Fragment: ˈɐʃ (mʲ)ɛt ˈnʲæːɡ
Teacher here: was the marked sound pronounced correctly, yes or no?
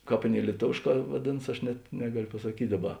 no